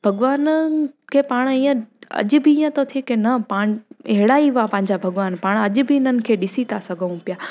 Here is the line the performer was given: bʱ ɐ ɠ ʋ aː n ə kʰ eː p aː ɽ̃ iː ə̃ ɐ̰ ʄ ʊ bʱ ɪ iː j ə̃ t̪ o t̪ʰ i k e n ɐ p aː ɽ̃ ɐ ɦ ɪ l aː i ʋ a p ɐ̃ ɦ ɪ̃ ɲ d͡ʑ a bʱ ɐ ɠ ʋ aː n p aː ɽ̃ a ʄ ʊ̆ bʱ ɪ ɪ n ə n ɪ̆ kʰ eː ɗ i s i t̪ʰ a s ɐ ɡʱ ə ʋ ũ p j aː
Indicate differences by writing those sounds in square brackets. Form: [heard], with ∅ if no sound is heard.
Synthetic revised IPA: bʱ ɐ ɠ ʋ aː n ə kʰ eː p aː ɽ̃ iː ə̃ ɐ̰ ʄ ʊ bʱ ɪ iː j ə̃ t̪ o t̪ʰ i k e n ɐ p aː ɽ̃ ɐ ɦ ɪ [ɽ] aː i ʋ a p ɐ̃ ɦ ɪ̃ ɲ d͡ʑ a bʱ ɐ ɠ ʋ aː n p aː ɽ̃ [ɐ] ʄ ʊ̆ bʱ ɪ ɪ n ə n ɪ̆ kʰ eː ɗ [ɪ] s i t̪ʰ a s ɐ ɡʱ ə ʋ ũ p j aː